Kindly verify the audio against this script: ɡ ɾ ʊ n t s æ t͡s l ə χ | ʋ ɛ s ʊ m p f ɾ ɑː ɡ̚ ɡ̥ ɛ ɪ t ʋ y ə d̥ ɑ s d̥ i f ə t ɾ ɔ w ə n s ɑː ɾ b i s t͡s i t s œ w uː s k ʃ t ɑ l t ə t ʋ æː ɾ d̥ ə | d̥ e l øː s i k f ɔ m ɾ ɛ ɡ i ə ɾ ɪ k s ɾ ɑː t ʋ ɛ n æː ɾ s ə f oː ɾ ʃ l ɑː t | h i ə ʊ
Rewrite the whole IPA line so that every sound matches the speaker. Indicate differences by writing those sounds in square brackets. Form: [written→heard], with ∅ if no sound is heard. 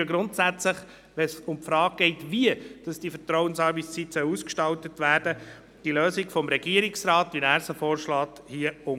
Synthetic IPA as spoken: ɡ ɾ ʊ n t s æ t͡s l ə χ | ʋ ɛ s ʊ m p f ɾ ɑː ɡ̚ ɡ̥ ɛ ɪ t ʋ [y→i] ə d̥ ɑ s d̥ i f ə t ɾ ɔ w ə n s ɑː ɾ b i s t͡s i t s œ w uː s k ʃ t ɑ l t ə t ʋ æː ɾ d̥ ə | d̥ [e→i] l øː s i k f ɔ m ɾ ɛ ɡ i ə ɾ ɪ k s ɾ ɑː t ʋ [ɛ→i] n æː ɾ s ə f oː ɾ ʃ l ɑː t | h i ə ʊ